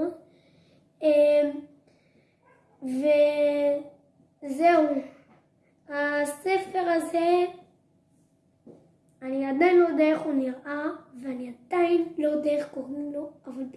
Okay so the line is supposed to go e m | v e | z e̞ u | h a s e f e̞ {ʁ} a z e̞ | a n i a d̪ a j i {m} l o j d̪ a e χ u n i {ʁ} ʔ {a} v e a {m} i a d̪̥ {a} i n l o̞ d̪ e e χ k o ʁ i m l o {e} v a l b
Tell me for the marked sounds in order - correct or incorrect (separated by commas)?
correct, incorrect, correct, correct, incorrect, correct, incorrect